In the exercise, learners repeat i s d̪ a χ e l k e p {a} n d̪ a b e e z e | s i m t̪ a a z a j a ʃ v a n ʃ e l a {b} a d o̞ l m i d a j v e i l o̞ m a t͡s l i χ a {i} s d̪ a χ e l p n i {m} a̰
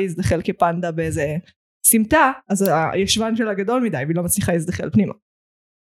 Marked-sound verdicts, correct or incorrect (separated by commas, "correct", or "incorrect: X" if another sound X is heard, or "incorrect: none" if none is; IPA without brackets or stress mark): correct, incorrect: ɡ, correct, correct